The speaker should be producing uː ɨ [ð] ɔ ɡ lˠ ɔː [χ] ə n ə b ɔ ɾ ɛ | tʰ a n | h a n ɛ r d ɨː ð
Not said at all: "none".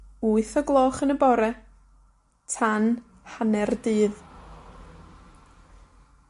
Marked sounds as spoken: θ, χ

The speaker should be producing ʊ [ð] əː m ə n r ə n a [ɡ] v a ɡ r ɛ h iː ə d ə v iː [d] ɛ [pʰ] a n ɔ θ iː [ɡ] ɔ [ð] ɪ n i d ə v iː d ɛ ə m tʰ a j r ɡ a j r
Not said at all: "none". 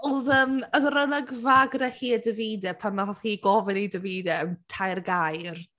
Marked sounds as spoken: ð, ɡ, d, pʰ, ɡ, v

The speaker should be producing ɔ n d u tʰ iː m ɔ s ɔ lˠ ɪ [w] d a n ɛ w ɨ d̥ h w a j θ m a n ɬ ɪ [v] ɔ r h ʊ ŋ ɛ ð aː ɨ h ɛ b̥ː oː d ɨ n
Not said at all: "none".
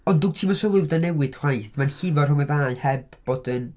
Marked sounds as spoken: w, v

